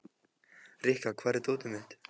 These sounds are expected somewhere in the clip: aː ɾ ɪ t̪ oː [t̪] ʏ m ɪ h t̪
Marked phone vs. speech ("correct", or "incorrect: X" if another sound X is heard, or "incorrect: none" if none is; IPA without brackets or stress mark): correct